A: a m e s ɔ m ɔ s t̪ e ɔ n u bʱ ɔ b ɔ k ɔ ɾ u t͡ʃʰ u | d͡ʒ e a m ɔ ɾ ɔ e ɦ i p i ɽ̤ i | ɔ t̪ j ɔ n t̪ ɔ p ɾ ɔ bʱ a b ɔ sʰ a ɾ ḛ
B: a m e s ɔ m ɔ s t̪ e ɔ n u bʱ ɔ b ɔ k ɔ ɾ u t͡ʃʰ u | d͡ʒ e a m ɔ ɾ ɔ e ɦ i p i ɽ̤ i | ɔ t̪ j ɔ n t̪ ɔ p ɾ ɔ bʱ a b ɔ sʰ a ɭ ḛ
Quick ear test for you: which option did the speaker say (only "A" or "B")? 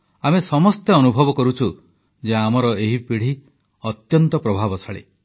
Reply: B